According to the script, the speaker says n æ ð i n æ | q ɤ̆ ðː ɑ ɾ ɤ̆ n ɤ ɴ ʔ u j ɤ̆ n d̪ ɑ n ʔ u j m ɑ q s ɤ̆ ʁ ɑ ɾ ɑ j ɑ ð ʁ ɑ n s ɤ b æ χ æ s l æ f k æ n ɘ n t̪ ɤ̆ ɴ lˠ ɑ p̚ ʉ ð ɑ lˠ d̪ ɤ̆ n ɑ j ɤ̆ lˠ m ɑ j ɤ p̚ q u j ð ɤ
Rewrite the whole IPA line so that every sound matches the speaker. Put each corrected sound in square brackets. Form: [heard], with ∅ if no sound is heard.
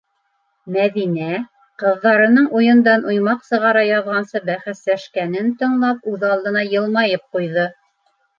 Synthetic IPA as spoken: [m] æ ð i n æ | q ɤ̆ ðː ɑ ɾ ɤ̆ n ɤ ɴ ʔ u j ɤ̆ n d̪ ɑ n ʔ u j m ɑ q s ɤ̆ ʁ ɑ ɾ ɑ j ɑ ð ʁ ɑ n s ɤ b æ χ æ s l æ [ʃ] k æ n ɘ n t̪ ɤ̆ ɴ lˠ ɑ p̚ ʉ ð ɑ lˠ d̪ ɤ̆ n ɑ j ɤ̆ lˠ m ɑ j ɤ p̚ q u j ð ɤ

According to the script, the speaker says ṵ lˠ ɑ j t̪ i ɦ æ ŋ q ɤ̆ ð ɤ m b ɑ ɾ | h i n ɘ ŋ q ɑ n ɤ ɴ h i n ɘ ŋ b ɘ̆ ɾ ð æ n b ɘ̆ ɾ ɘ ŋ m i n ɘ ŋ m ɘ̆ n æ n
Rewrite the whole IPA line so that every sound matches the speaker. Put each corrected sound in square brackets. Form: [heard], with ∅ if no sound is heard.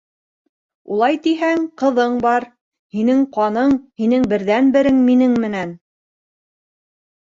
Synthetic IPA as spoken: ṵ lˠ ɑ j t̪ i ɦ æ ŋ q ɤ̆ ð ɤ [ɴ] b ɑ ɾ | h i n ɘ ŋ q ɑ n ɤ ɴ h i n ɘ ŋ b ɘ̆ ɾ ð æ n b ɘ̆ ɾ ɘ ŋ m i n ɘ ŋ m ɘ̆ n æ n

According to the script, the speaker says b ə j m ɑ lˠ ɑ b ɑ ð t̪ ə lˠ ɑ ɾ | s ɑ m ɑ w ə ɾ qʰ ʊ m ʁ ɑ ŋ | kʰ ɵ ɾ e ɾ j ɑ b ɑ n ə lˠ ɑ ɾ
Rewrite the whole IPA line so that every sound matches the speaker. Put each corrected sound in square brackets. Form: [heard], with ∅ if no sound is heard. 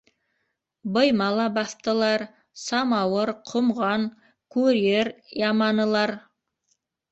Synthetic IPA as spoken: b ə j m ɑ lˠ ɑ b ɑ [θ] t̪ ə lˠ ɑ ɾ | s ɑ m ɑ w ə ɾ qʰ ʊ m ʁ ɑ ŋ | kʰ ɵ ɾ e ɾ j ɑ [m] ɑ n ə lˠ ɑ ɾ

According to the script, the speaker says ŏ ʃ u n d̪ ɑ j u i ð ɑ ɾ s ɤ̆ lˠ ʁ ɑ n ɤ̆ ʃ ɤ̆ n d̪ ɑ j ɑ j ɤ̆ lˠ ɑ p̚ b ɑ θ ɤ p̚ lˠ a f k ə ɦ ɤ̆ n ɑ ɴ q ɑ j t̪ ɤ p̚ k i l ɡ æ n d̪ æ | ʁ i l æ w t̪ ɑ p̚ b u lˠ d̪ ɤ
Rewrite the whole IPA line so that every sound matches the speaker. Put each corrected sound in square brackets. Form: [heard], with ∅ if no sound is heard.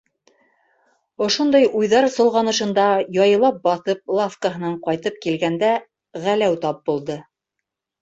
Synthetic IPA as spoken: ŏ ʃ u n d̪ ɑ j u [j] ð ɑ ɾ s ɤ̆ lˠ ʁ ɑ n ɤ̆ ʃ ɤ̆ n d̪ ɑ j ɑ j ɤ̆ lˠ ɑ p̚ b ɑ θ ɤ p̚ lˠ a f k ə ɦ ɤ̆ n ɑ ɴ q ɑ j t̪ ɤ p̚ k i l ɡ æ n d̪ æ | ʁ [æ] l æ w t̪ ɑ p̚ b u lˠ d̪ ɤ

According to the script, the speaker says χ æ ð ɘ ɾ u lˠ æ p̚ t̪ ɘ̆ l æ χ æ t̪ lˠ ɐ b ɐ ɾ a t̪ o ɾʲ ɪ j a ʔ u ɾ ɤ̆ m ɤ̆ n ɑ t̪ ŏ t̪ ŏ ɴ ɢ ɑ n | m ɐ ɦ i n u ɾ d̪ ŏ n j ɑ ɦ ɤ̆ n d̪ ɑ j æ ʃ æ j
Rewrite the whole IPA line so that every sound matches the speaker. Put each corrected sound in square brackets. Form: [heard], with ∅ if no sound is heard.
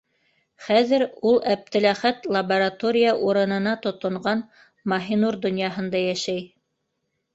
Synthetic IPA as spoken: χ æ ð ɘ ɾ u lˠ æ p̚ t̪ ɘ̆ l æ χ æ t̪ lˠ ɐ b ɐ ɾ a t̪ o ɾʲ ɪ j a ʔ u ɾ ɤ̆ [n] ɤ̆ n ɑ t̪ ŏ t̪ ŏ ɴ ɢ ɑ n | m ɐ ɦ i n u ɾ d̪ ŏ n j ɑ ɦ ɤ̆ n d̪ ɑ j æ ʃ æ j

